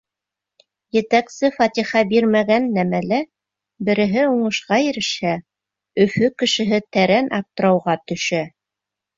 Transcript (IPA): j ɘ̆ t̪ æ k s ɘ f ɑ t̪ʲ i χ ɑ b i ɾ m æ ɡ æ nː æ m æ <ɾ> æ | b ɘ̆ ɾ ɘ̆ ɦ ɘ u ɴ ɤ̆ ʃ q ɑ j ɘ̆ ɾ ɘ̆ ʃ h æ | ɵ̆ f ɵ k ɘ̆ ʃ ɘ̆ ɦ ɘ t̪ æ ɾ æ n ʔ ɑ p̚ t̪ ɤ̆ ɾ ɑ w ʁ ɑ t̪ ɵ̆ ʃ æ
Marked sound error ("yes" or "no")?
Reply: yes